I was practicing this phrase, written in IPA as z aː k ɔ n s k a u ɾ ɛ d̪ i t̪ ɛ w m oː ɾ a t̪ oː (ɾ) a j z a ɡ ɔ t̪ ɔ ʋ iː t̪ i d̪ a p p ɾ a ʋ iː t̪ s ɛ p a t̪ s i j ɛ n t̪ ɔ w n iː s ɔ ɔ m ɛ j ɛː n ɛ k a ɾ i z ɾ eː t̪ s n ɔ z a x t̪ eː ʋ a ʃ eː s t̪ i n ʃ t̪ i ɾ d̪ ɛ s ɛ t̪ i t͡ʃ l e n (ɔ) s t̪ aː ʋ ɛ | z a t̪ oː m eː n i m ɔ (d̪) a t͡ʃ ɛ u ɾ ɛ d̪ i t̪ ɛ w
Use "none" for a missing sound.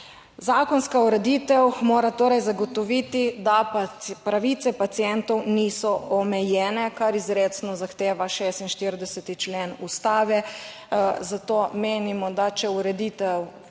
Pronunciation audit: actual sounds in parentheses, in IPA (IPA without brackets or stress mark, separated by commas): ɾ, u, d̪